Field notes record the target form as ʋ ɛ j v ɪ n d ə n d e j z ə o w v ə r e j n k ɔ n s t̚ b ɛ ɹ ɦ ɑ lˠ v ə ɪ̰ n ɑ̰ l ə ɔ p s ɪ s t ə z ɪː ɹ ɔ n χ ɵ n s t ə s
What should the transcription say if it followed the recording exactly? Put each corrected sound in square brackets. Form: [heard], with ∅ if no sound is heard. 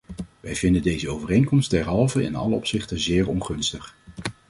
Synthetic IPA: ʋ ɛ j v ɪ n d ə n d e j z ə o w v ə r e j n k ɔ [m] s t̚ [d] ɛ ɹ ɦ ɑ lˠ v ə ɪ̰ n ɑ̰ l ə ɔ p s ɪ [χ] t ə z ɪː ɹ ɔ n χ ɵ n s t ə [χ]